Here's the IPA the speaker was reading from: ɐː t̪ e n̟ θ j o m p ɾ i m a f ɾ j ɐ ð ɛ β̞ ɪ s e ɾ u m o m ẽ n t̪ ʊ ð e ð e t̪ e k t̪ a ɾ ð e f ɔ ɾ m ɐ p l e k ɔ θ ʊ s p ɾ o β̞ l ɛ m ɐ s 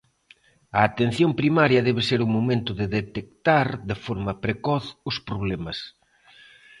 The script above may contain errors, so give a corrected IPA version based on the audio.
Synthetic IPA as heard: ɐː t̪ e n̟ θ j o m p ɾ i m a ɾ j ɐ ð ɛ β̞ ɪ s e ɾ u m o m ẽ n t̪ ʊ ð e ð e t̪ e k t̪ a ɾ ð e f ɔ ɾ m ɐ p ɾ e k ɔ θ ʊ s p ɾ o β̞ l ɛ m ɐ s